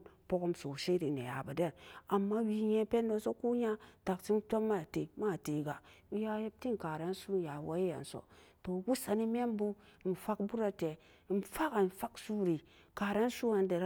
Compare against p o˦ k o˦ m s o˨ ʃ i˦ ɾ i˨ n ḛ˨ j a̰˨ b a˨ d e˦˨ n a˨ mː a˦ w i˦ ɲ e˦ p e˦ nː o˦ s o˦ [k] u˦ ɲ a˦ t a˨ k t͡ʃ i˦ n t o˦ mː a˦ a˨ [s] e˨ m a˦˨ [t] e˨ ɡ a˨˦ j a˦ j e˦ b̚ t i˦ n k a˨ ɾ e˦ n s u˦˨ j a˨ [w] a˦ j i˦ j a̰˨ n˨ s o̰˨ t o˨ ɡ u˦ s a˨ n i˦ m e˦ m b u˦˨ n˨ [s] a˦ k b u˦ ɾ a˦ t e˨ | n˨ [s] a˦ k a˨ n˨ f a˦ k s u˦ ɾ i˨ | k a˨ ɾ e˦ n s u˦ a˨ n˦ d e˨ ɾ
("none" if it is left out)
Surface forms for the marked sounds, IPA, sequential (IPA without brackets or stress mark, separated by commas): k, t, t, w, f, f